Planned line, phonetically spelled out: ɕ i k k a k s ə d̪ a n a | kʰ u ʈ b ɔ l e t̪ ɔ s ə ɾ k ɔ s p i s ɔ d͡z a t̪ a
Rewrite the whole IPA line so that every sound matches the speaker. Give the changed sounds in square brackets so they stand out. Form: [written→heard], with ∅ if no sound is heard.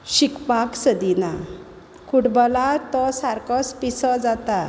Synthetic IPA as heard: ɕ i k [k→p] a k s ə d̪ [a→i] n a | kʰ u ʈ b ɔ l [e→a] t̪ ɔ s [ə→a] ɾ k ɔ s p i s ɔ d͡z a t̪ a